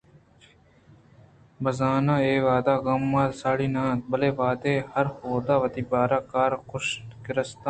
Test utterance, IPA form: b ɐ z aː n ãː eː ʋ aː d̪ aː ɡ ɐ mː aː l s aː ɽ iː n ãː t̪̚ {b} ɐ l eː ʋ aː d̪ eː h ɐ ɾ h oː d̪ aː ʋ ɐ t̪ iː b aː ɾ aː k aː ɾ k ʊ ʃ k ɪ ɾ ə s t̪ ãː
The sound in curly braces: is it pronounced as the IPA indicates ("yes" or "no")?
yes